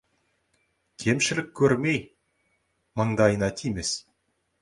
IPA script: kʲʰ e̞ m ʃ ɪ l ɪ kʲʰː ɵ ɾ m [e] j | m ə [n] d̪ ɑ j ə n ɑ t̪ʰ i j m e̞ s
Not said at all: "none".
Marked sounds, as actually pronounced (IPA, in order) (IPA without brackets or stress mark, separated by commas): e, ɴ